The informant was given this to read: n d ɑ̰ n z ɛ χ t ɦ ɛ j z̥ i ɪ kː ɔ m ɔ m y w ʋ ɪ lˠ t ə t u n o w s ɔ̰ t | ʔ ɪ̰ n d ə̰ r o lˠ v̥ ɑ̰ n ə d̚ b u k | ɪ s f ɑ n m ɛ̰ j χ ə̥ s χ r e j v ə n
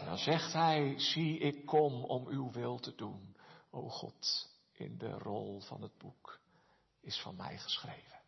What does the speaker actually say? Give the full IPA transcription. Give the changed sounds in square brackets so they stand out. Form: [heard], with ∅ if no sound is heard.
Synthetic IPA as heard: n d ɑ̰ n z ɛ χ t ɦ ɛ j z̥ i ɪ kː ɔ m ɔ m y w ʋ ɪ lˠ t ə [d] u n o w [χ] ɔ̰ t | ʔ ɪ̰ n d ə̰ r [ɔ] lˠ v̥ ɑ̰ n ə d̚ b u k | ɪ s f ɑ n m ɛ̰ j χ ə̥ s χ r e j v ə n